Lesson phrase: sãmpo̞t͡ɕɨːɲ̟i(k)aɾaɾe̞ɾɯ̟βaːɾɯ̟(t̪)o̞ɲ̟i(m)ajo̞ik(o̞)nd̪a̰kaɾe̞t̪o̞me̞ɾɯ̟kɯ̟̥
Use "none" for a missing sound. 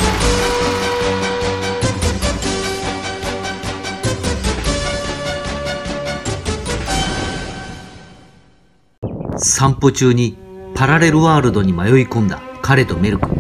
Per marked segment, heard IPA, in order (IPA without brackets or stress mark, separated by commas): p, d̪, m, õ̞